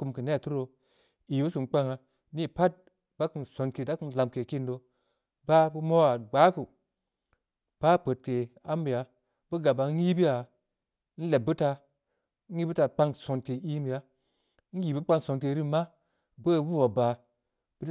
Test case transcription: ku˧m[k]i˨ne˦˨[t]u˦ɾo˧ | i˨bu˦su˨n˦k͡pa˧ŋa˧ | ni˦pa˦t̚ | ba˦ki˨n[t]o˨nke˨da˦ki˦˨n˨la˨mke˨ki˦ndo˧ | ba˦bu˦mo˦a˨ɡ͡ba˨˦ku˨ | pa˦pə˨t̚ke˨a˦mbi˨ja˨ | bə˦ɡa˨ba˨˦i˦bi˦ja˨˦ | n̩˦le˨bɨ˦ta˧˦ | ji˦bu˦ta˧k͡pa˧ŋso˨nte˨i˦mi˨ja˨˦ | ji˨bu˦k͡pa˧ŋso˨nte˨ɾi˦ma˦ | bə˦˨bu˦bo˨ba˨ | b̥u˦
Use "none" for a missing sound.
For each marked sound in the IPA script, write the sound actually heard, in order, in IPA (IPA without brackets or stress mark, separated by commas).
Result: k, t, s